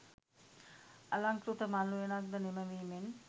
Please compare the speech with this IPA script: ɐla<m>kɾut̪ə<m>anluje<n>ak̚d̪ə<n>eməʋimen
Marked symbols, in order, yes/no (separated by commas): no, yes, yes, yes